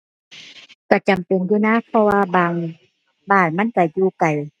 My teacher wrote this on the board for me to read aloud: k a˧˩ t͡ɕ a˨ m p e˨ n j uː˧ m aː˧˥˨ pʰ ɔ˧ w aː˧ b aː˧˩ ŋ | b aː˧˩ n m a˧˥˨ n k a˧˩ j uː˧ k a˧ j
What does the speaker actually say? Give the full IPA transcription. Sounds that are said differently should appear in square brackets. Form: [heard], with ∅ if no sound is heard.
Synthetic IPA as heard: k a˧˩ t͡ɕ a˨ m p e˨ n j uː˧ [n] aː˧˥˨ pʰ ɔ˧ w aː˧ b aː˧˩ ŋ | b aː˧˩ n m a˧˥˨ n k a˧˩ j uː˧ k [a˨˩] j